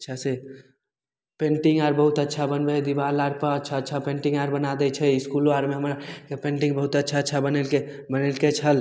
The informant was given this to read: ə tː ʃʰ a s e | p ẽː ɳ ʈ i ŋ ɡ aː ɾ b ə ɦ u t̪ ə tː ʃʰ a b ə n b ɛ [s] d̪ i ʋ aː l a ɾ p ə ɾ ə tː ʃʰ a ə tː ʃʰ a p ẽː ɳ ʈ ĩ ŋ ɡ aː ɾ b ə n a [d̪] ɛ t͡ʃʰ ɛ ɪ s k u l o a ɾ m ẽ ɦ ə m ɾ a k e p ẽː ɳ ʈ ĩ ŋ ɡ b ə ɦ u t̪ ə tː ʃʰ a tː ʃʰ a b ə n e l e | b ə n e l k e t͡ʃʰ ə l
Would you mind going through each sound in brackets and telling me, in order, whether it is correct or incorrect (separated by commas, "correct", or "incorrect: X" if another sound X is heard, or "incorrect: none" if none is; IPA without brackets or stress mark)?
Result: incorrect: none, correct